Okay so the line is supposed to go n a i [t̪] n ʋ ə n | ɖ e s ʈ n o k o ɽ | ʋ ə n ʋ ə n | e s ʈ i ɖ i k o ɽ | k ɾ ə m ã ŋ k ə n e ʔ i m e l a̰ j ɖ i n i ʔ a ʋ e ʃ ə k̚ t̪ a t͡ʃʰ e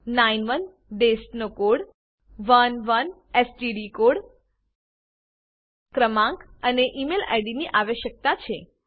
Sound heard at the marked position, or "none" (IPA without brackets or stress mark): none